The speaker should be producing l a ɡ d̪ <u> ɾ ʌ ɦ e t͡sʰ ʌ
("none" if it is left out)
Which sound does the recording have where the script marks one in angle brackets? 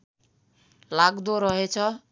o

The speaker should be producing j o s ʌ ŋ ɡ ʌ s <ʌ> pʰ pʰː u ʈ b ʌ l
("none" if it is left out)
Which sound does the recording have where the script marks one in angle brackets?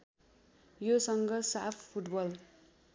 a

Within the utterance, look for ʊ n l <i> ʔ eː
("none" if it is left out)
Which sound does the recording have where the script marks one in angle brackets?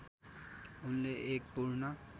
e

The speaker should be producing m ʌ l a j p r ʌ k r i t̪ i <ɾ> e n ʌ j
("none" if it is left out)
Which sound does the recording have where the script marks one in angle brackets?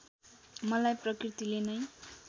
l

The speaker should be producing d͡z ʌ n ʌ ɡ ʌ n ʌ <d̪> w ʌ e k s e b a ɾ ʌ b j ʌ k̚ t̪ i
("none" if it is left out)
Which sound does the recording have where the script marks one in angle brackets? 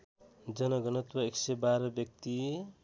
t̪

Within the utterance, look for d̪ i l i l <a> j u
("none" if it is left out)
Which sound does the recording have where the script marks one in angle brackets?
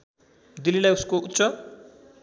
a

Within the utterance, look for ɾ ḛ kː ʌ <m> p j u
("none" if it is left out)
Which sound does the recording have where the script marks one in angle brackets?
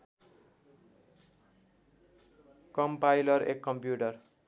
m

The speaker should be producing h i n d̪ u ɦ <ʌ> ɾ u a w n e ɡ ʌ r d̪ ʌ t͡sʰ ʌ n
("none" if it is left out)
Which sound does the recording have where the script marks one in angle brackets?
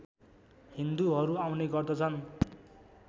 ʌ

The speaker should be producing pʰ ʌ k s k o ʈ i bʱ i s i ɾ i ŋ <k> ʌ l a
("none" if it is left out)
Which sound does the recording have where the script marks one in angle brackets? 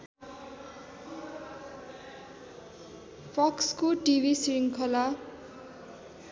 kʰ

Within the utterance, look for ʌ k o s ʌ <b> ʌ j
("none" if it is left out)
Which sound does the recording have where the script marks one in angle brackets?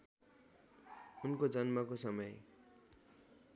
m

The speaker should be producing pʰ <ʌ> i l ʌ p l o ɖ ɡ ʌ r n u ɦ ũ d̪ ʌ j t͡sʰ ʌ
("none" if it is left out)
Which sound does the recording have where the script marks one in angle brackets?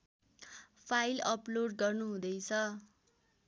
a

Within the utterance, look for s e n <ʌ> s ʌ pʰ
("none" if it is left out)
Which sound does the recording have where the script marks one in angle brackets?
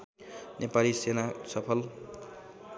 a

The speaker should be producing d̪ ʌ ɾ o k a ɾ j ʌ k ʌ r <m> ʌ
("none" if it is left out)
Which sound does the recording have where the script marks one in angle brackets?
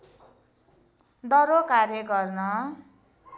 n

